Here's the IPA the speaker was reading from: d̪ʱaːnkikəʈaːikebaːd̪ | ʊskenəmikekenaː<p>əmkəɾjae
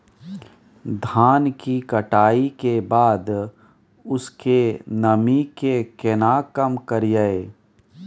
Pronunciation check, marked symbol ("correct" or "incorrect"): incorrect